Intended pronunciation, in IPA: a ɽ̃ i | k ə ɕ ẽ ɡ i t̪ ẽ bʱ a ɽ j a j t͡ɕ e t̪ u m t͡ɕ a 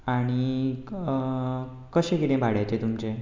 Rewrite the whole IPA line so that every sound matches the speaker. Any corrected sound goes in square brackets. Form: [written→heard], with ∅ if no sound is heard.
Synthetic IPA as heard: a ɽ̃ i | k ə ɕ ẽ [ɡ→k] i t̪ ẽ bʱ a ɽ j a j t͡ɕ e t̪ u m t͡ɕ [a→e]